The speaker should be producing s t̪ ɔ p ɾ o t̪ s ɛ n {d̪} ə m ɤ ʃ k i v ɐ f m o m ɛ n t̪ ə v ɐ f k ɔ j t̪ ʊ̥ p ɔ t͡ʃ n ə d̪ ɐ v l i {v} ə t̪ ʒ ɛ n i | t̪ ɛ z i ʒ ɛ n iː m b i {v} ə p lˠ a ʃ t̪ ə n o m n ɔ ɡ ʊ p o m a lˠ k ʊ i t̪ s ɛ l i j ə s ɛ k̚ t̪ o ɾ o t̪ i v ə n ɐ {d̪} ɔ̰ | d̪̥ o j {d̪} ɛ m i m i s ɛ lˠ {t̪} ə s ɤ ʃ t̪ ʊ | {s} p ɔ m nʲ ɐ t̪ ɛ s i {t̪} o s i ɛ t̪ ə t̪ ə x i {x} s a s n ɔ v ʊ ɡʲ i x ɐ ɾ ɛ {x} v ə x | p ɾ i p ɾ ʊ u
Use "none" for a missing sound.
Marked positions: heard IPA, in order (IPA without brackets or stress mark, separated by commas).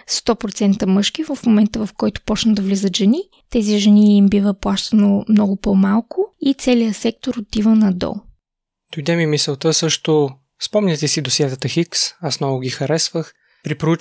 t̪, z, v, d̪, d̪, t̪, s, d̪, k, s